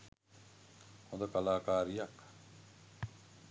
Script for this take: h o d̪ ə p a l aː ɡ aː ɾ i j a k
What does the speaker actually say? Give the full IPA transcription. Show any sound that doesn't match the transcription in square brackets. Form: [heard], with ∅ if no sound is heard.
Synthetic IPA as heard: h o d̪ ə [k] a l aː [k] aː ɾ i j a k

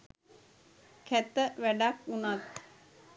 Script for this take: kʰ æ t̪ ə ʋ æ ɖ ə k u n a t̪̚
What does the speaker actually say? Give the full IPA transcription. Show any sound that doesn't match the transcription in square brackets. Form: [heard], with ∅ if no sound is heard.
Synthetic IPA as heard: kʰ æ t̪ ə ʋ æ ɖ [a] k u n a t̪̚

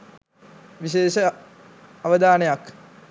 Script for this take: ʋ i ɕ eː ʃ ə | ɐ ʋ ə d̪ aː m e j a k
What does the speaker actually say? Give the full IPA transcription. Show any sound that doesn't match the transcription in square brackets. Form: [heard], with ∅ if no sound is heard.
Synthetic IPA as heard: ʋ i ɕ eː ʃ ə | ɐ ʋ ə d̪ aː [n] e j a k

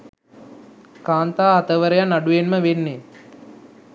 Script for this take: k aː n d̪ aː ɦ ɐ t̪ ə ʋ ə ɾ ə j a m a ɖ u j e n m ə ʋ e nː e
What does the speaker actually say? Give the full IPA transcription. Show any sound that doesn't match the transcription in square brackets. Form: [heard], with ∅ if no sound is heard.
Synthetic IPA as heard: k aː n [t̪] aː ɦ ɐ t̪ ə ʋ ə ɾ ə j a [n] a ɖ u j e n m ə ʋ e nː e

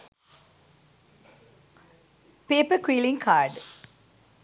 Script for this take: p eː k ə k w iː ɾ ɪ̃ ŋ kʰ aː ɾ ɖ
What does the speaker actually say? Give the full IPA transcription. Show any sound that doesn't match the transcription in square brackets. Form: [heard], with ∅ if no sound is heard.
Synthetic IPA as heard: p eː [p] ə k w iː [l] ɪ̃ ŋ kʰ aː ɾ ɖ

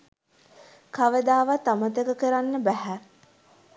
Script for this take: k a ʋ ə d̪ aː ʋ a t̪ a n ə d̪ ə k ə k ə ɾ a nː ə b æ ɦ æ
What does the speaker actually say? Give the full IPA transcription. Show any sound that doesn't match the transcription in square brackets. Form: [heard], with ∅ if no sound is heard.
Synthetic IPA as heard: k a ʋ ə d̪ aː ʋ a t̪ a [m] ə [t̪] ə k ə k ə ɾ a nː ə b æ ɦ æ

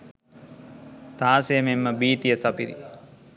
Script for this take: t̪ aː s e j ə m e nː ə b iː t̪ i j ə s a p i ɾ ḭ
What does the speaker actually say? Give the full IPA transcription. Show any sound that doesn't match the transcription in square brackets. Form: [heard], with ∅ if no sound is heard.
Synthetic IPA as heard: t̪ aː s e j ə m e [mː] ə b iː t̪ i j ə s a p i ɾ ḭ

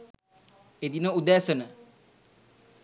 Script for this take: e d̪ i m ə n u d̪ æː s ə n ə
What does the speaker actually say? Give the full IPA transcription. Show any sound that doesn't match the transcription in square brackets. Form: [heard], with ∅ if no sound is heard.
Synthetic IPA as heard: e d̪ i [n] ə [∅] u d̪ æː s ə n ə

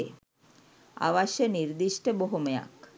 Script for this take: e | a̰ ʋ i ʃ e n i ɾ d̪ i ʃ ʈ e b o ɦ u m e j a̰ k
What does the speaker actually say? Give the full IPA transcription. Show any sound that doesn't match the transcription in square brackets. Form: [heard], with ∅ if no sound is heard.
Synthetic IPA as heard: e | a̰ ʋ [a] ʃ e n i ɾ d̪ i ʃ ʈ e b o ɦ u m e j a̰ k

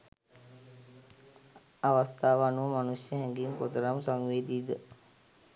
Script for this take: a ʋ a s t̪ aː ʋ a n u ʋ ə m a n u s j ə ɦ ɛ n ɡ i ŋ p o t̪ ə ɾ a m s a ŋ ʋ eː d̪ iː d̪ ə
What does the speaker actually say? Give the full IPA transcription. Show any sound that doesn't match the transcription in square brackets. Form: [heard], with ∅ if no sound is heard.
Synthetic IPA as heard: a ʋ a s t̪ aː ʋ a n u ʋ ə m a n u s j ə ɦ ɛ [ŋ] ɡ i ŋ [k] o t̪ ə ɾ a m s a ŋ ʋ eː d̪ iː d̪ ə

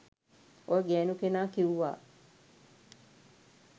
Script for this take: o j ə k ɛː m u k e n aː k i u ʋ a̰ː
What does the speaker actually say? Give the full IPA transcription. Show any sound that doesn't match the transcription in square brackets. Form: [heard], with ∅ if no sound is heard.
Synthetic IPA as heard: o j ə [ɡ] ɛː [n] u k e n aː k i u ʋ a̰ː

